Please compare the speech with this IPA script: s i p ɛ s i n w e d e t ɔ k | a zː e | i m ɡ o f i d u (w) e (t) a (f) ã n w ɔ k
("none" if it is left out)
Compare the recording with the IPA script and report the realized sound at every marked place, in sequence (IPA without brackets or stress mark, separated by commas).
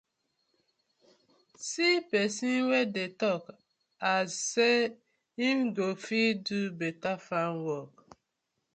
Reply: b, t, f